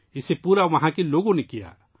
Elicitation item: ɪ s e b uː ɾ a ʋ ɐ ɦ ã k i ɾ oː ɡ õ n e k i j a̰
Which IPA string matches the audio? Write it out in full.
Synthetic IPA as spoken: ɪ s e p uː ɾ a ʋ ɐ ɦ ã k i l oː ɡ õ n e k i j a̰